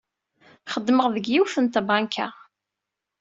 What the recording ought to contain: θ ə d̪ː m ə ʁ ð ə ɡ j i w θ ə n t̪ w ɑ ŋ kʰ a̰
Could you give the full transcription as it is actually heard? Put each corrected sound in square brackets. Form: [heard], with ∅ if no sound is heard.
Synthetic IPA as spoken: [χ] ə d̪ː m ə ʁ ð ə ɡ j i w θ ə n t̪ [b] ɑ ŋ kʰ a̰

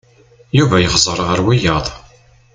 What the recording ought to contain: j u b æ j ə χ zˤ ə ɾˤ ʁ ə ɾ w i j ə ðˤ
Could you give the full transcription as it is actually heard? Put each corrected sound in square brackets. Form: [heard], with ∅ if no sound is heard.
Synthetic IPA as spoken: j u [v] æ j ə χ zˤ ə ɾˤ ʁ ə ɾ w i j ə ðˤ

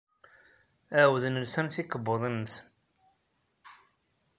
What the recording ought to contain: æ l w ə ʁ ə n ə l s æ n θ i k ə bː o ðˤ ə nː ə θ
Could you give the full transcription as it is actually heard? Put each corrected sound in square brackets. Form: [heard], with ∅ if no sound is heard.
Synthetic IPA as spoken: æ [∅] w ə [ð] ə n ə l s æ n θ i k ə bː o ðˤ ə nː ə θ

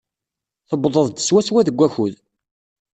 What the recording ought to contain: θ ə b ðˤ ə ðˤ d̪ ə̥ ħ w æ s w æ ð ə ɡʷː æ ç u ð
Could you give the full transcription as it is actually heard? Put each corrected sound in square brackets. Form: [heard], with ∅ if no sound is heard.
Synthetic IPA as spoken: θ ə b ðˤ ə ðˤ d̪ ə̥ [s] w æ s w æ ð ə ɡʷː æ ç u ð

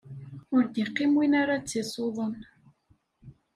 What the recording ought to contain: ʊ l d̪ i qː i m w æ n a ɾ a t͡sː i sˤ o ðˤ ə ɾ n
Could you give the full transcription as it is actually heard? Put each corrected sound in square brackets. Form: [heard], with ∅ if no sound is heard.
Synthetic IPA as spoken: ʊ [ɾ] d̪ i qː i m w [i] n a ɾ a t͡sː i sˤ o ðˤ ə [∅] n

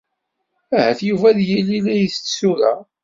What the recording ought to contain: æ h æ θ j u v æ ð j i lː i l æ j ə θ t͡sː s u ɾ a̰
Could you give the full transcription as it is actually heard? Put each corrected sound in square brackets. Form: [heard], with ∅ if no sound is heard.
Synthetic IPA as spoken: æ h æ θ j u v æ ð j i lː i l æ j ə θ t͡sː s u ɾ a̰

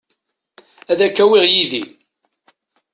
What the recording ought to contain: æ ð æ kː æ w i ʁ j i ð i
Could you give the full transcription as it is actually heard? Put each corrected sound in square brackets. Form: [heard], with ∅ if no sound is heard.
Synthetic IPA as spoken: æ ð æ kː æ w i ʁ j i ð i

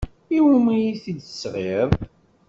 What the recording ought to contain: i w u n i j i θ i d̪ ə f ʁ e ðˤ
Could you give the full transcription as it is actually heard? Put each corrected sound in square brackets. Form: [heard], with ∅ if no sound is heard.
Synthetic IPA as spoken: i w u [m] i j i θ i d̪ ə [s] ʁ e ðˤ

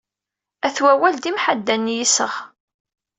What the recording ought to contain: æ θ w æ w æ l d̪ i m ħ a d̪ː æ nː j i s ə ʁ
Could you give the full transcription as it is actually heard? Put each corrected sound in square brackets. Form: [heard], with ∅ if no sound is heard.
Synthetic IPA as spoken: æ θ w æ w æ l d̪ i m ħ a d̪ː æ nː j i s ə ʁ

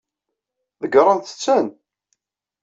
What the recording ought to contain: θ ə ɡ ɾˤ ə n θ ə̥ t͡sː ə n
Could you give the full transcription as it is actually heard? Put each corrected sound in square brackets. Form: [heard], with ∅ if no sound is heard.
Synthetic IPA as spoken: [ð] ə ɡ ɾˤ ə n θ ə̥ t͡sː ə n

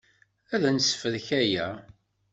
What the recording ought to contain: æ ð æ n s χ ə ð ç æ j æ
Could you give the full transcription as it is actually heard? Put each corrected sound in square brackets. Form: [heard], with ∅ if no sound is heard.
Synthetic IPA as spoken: æ ð æ n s [f] ə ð ç æ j æ

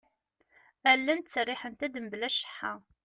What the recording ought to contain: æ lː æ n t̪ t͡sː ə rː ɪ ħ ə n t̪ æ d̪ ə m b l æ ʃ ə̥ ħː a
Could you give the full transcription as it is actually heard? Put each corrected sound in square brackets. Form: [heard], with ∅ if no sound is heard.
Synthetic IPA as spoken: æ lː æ n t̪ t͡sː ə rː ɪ ħ ə n t̪ æ d̪ ə m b l æ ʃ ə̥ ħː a

